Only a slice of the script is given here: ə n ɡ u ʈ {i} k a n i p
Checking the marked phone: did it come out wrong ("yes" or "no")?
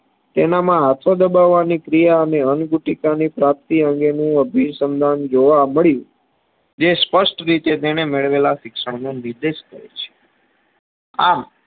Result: no